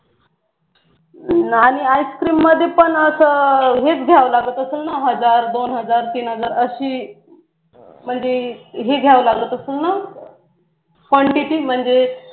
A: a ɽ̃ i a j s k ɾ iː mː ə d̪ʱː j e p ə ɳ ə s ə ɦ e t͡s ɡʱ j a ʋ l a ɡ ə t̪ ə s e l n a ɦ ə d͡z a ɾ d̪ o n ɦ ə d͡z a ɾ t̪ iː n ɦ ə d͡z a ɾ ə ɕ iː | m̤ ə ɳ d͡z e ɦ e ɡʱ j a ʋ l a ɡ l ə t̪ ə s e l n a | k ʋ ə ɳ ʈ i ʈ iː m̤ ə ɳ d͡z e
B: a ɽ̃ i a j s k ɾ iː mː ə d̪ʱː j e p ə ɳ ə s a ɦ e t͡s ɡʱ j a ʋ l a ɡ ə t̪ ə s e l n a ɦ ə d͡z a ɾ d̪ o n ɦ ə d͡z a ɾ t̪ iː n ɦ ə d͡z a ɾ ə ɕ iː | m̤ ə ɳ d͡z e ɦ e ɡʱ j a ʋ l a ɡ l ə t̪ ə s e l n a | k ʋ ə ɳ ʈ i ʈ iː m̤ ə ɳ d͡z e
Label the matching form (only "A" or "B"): A